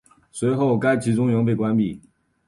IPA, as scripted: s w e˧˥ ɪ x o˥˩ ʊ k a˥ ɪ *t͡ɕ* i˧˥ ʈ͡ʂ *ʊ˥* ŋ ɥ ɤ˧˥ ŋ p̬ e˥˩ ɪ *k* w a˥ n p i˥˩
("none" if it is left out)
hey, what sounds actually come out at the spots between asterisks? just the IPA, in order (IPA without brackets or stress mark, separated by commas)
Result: t͡ɕʰ, ʊ˥, k